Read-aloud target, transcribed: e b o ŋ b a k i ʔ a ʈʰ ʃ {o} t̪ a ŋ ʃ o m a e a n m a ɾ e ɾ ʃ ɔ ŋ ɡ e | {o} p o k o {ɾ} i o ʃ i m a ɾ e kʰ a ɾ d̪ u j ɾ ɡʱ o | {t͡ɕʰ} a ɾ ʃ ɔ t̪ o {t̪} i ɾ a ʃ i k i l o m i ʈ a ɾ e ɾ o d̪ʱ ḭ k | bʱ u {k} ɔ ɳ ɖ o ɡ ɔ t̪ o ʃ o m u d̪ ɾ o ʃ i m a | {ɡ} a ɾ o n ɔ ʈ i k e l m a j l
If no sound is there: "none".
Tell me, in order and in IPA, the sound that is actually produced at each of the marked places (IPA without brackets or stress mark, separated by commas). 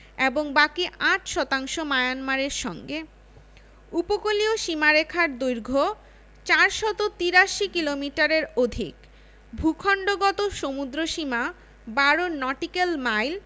ɔ, u, l, t͡ɕ, t̪, kʰ, b